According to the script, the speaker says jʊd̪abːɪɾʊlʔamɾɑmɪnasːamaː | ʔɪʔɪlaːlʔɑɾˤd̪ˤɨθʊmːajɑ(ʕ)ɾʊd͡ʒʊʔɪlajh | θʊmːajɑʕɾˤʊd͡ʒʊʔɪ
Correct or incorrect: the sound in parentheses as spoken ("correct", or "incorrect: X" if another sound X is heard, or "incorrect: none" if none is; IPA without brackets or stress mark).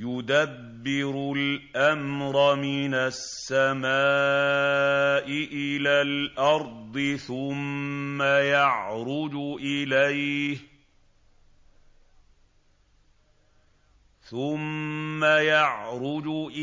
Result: correct